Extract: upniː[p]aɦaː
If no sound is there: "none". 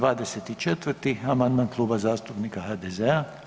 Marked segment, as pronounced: k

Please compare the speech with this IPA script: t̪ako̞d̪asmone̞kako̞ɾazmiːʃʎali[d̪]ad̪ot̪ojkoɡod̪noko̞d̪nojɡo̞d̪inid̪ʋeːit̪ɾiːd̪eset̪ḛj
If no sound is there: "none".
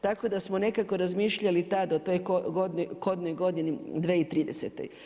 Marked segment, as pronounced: t̪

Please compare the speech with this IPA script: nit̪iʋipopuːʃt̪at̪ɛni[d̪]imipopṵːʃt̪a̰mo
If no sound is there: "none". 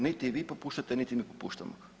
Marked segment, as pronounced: t̪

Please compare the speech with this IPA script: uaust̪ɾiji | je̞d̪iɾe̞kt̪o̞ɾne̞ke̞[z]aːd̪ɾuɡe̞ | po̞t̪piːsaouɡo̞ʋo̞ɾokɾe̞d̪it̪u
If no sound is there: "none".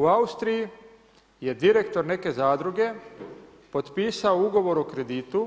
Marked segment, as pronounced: z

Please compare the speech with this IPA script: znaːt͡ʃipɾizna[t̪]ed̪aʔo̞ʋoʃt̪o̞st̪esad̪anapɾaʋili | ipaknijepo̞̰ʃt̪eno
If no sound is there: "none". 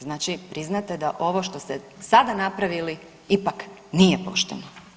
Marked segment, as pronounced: t̪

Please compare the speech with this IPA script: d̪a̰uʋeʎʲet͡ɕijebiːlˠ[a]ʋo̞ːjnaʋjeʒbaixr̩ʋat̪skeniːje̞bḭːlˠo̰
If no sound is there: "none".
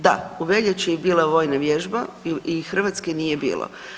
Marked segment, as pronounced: a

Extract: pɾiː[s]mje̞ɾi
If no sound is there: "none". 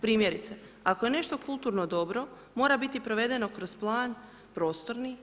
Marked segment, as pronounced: none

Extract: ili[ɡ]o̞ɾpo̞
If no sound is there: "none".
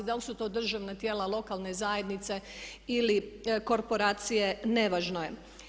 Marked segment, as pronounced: k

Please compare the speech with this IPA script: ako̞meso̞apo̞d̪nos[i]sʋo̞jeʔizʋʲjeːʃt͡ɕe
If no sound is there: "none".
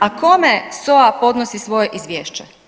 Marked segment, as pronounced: i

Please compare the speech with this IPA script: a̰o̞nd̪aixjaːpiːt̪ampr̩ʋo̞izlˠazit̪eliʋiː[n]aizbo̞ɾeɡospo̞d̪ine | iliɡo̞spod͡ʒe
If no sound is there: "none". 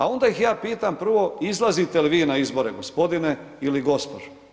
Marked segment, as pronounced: n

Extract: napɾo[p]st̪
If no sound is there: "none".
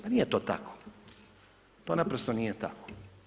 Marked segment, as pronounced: none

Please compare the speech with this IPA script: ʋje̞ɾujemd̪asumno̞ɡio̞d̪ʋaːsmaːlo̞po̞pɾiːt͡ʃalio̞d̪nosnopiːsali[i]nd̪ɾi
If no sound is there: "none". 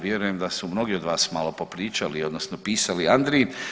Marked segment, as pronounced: a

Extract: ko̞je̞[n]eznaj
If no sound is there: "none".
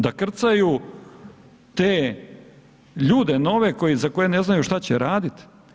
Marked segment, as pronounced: n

